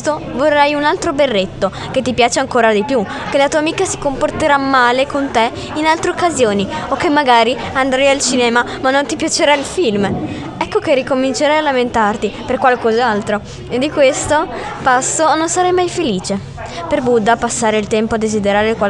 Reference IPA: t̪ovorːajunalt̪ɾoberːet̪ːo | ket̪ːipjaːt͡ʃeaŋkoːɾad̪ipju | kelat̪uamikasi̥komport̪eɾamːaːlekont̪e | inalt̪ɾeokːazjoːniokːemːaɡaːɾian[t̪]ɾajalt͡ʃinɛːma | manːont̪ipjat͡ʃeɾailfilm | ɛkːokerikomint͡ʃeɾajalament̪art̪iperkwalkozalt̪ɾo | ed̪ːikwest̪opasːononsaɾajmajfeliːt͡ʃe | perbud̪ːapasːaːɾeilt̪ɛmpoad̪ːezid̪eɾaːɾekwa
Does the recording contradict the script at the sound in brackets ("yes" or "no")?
yes